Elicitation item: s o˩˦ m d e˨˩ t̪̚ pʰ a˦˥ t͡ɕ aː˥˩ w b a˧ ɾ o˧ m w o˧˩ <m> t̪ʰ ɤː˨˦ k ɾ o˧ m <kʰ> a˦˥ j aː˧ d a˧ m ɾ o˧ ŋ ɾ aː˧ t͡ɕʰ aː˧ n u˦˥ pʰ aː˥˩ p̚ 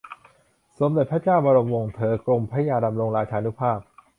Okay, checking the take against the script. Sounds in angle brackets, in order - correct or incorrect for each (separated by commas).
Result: incorrect, incorrect